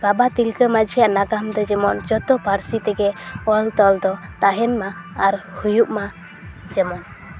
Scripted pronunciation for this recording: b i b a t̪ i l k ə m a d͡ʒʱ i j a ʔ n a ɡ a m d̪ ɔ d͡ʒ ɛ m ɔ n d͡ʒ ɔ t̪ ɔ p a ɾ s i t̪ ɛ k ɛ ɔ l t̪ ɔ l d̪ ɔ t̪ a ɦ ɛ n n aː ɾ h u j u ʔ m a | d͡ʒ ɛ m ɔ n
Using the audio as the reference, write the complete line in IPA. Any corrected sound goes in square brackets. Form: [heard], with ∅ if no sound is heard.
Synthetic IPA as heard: b [a] b a t̪ i l k ə m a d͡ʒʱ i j a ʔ n a ɡ a m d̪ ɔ d͡ʒ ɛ m ɔ n d͡ʒ ɔ t̪ ɔ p a ɾ s i t̪ ɛ [ɡ] ɛ ɔ l t̪ ɔ l d̪ ɔ t̪ a ɦ ɛ n [m] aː ɾ h u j u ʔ m a | d͡ʒ ɛ m ɔ n